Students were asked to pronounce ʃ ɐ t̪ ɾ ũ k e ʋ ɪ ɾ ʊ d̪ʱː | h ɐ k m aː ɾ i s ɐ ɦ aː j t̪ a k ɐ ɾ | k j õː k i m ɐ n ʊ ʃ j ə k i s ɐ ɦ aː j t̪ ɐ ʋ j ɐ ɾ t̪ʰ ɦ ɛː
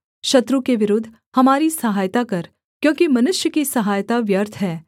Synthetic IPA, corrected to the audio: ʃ ɐ t̪ ɾ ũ k e ʋ ɪ ɾ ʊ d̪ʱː | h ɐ m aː ɾ i s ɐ ɦ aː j t̪ a k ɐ ɾ | k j õː k i m ɐ n ʊ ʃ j ə k i s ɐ ɦ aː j t̪ a ʋ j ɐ ɾ t̪ʰ ɦ ɛː